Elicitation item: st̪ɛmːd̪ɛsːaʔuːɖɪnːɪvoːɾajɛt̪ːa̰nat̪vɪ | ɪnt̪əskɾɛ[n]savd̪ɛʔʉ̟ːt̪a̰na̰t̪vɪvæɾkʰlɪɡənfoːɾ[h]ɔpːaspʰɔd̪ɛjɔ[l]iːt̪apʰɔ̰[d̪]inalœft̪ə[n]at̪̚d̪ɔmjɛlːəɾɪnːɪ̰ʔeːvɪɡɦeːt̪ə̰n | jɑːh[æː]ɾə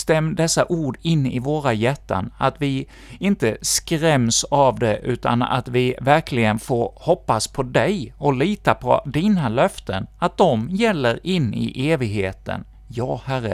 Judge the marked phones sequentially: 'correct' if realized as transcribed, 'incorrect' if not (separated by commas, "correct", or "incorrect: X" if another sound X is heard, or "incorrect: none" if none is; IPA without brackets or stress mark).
incorrect: m, correct, correct, correct, correct, incorrect: æ